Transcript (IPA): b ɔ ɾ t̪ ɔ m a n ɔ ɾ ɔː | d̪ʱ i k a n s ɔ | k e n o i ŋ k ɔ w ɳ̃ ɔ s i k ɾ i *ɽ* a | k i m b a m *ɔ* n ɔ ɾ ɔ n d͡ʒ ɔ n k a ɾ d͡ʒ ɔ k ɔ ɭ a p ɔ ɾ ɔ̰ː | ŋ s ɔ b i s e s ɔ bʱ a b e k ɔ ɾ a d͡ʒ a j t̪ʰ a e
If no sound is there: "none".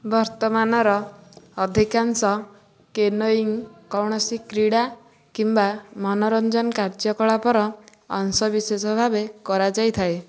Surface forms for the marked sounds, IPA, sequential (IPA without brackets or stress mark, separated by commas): ɽ, ɔ